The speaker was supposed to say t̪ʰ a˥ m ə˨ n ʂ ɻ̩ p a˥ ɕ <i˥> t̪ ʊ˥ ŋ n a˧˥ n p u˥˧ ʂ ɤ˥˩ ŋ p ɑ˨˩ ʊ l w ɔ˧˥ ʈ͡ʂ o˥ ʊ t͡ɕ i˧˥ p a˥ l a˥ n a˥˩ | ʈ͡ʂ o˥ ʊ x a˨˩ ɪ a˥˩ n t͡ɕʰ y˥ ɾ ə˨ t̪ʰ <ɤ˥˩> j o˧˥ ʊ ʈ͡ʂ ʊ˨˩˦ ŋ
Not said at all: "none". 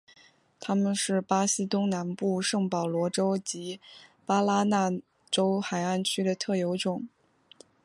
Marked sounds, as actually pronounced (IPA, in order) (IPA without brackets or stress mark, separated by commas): i˥, ɤ˥˩